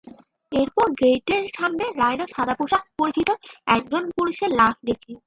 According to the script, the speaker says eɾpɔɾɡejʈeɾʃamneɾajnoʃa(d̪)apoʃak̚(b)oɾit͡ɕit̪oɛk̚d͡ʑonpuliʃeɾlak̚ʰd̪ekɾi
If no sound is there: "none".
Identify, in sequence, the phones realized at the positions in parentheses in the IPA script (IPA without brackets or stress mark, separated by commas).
d̪, p